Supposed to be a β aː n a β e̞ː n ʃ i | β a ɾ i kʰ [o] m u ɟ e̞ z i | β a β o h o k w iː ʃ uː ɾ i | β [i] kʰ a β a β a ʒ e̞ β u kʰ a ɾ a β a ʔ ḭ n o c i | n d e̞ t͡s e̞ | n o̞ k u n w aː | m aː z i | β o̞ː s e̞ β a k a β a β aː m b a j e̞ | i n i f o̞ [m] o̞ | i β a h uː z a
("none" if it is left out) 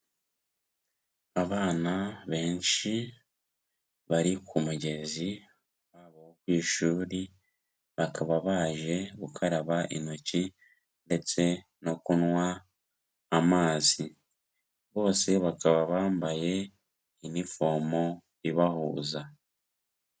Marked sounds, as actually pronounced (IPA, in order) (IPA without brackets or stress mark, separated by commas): u, a, m